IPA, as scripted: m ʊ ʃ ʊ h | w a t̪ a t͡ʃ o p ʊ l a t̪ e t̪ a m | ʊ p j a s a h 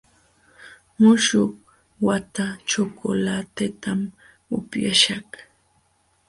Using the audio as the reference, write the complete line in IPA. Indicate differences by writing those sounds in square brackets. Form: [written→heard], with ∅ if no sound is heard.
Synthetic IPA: m ʊ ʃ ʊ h | w a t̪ a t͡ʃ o [p→k] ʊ l a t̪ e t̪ a m | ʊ p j a [s→ʃ] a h